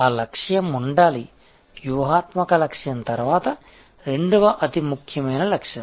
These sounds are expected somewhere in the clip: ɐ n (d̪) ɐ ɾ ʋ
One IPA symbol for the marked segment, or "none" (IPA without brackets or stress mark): t̪